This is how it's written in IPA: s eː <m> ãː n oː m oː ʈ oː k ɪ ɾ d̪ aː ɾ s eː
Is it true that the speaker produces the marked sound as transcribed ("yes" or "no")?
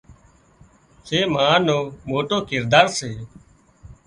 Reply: yes